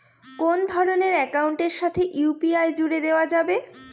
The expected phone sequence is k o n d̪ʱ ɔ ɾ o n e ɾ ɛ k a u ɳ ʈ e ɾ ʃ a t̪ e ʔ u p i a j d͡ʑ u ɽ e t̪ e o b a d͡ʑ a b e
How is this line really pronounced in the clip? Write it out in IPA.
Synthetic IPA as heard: k o n d̪ʱ ɔ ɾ o n e ɾ ɛ k a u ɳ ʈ e ɾ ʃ a t̪ʰ e ʔ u p i a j d͡ʑ u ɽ e d̪ e o a d͡ʑ a b e